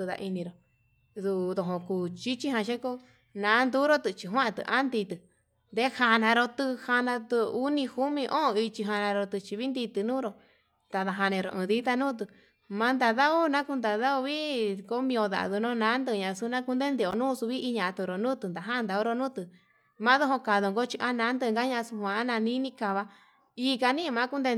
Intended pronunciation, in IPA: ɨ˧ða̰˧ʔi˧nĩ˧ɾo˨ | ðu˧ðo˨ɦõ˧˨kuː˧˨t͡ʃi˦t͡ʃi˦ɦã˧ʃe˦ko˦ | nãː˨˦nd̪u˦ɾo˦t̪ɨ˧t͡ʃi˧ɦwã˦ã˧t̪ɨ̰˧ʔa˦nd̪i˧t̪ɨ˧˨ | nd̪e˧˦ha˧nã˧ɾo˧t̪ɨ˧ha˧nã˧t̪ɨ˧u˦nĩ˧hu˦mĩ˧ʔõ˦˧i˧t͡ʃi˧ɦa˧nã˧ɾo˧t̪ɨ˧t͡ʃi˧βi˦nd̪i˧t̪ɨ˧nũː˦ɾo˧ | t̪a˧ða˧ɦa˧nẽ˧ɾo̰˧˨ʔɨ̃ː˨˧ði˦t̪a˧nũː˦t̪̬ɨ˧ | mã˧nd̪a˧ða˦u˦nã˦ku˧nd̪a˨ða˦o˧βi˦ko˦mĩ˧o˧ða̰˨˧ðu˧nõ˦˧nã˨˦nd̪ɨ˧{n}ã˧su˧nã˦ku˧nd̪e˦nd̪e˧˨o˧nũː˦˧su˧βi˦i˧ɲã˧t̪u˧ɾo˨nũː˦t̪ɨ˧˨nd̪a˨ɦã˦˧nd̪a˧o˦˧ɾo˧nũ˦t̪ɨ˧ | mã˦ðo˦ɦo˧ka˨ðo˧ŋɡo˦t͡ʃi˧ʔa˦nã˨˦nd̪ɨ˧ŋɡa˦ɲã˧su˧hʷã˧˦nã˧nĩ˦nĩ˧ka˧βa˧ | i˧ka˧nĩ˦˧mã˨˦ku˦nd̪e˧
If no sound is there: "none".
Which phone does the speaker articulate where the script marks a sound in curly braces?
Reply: ɲ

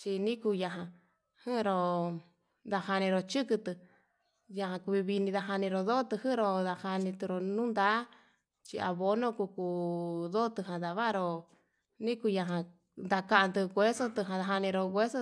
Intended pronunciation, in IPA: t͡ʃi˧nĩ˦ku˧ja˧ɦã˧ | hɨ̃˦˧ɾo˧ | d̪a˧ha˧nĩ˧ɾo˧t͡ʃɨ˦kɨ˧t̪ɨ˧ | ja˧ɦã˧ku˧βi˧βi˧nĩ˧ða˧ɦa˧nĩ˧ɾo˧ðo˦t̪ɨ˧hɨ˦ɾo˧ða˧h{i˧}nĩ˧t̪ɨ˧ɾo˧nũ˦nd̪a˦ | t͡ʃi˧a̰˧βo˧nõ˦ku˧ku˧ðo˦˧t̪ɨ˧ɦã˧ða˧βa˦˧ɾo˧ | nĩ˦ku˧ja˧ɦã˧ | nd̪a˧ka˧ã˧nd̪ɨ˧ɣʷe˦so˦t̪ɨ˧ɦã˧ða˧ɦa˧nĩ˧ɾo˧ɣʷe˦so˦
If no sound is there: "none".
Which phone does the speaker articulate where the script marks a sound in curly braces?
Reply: a˧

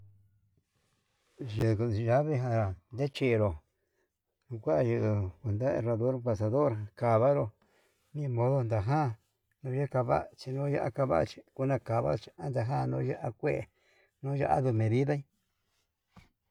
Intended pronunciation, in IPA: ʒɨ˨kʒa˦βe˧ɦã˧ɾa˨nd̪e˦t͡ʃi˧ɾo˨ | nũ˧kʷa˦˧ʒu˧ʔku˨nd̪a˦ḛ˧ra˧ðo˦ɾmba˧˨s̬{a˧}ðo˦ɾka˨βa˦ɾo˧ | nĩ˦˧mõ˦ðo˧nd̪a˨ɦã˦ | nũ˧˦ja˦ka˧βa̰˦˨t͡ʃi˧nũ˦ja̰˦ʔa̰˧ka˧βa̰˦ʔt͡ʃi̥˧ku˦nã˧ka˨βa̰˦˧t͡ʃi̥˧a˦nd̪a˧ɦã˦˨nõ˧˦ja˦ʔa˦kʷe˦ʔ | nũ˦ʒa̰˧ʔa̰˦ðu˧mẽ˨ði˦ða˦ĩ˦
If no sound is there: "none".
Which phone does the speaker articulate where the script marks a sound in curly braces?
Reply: a˧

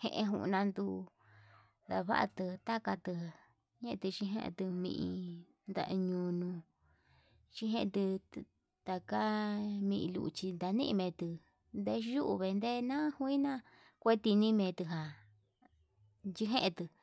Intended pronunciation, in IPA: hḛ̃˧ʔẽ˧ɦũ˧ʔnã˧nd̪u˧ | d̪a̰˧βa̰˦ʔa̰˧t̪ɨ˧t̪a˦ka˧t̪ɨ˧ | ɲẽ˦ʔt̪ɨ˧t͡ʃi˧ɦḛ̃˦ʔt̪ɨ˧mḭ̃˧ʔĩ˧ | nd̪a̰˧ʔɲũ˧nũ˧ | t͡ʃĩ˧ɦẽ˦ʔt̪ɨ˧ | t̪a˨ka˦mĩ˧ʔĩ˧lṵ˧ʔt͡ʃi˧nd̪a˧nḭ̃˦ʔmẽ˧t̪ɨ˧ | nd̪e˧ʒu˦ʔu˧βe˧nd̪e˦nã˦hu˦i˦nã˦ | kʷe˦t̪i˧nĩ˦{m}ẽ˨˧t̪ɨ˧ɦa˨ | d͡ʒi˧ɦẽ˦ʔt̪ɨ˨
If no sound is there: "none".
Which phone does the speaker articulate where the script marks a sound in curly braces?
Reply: m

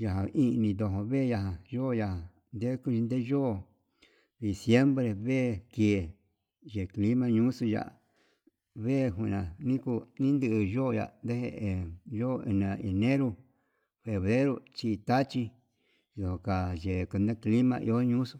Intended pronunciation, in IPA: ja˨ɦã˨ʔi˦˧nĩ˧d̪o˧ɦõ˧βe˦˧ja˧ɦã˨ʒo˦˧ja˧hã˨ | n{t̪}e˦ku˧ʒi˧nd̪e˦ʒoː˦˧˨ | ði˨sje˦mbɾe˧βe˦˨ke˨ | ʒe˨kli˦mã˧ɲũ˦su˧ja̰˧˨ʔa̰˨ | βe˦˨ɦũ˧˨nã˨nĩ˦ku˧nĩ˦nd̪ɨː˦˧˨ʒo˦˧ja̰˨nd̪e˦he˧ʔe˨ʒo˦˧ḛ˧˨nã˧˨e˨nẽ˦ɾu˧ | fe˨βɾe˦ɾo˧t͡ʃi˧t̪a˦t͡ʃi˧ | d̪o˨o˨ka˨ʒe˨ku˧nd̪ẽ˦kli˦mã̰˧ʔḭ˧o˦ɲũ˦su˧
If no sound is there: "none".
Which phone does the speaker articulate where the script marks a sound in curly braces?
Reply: d̪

